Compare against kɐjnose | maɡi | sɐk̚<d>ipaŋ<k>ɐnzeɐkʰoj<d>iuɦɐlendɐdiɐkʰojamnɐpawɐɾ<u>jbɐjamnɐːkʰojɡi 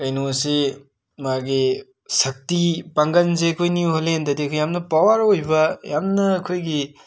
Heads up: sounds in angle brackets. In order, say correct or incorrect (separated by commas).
incorrect, incorrect, incorrect, incorrect